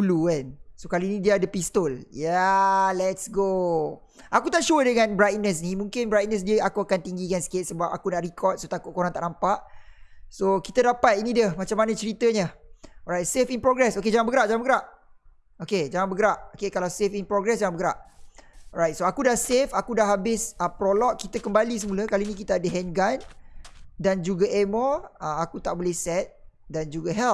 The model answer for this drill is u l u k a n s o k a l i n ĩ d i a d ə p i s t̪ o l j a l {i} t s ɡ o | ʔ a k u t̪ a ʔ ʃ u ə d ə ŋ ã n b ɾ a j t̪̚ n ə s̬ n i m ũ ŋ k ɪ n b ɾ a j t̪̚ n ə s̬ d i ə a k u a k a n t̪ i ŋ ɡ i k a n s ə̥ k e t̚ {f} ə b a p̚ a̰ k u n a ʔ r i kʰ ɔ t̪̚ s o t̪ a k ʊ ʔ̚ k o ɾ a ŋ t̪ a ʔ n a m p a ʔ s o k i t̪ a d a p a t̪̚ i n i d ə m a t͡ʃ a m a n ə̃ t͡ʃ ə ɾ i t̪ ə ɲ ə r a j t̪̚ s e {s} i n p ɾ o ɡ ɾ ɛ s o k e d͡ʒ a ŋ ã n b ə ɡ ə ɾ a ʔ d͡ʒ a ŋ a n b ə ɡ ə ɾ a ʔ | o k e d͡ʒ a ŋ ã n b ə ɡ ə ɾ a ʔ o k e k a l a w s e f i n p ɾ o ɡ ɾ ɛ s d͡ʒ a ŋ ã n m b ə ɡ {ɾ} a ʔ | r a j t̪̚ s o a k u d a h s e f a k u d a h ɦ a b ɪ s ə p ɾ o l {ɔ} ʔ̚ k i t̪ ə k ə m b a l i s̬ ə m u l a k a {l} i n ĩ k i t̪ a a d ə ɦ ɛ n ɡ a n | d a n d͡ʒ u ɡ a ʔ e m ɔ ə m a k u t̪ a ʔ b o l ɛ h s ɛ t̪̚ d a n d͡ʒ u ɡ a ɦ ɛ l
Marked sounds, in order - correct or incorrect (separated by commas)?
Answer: incorrect, incorrect, incorrect, correct, correct, correct